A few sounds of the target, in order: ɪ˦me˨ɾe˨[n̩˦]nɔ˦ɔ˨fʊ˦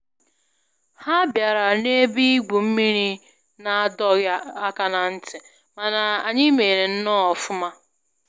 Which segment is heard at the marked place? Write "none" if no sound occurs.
n̩˦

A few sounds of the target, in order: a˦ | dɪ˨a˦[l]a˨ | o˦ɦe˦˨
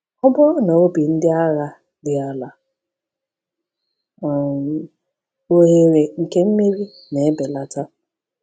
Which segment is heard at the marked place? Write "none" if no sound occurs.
l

